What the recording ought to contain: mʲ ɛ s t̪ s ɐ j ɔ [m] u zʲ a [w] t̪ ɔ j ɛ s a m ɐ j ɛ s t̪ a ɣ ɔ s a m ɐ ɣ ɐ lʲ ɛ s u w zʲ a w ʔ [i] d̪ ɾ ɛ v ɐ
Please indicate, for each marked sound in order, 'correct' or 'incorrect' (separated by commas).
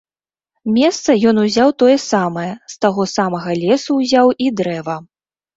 incorrect, correct, correct